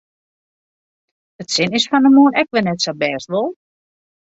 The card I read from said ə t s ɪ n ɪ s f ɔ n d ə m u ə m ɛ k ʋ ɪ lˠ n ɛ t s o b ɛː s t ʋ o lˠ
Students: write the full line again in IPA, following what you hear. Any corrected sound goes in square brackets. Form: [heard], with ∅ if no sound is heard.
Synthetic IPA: ə t s ɪ n ɪ s f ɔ n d ə m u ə [n] ɛ k ʋ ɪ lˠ n ɛ t s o b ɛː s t ʋ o lˠ